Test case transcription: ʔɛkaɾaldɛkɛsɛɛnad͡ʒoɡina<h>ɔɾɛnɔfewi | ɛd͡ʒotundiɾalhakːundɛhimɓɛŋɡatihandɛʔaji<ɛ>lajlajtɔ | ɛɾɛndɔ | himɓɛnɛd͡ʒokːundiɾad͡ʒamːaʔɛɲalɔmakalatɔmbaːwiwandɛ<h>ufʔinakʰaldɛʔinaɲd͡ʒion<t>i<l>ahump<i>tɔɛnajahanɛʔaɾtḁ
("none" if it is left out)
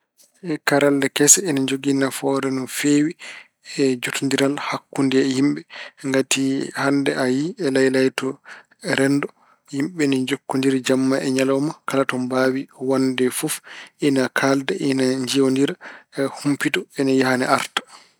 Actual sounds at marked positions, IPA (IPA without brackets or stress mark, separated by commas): f, ɛ, f, d, ɾ, i